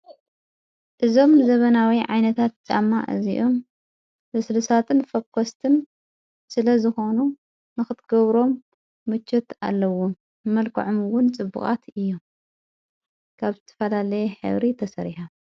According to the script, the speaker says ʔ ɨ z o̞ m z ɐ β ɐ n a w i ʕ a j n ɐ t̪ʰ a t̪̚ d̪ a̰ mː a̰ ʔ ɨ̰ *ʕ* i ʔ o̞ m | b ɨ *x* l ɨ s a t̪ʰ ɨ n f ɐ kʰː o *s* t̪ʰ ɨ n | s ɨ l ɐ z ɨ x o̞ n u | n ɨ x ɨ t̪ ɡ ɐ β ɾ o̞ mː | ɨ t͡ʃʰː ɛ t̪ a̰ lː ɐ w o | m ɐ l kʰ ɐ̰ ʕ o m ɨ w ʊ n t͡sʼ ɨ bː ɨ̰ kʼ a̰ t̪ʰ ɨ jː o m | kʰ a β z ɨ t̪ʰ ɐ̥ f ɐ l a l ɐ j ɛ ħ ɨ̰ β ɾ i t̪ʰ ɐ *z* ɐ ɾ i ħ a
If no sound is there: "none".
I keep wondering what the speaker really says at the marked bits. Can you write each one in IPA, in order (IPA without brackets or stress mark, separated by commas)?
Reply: z, s, s, s